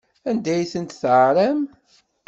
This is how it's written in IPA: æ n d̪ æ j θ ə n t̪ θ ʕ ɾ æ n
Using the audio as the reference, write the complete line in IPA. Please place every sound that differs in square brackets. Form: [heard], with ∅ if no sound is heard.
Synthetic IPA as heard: æ n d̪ æ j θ ə n t̪ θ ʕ ɾ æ [m]

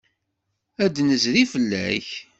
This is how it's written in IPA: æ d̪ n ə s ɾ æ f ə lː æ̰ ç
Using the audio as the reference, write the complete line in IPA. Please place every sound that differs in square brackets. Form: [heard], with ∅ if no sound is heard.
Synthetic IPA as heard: æ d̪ n ə [z] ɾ [i] f ə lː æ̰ ç

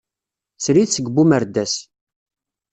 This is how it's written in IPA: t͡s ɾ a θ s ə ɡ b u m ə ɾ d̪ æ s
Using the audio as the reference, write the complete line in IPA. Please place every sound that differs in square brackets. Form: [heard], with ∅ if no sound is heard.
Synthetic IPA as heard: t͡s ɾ [i] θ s ə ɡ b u m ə ɾ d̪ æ s

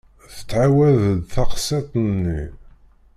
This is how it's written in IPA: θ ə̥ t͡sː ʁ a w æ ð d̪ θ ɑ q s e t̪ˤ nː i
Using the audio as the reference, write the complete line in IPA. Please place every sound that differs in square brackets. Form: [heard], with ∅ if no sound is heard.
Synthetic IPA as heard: θ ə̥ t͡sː [ʕ] a w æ ð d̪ θ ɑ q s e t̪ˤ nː i

